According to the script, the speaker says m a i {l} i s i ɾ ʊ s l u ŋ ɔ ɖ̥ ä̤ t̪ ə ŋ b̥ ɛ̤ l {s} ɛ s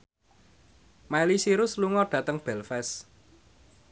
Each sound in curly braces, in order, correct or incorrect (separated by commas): correct, incorrect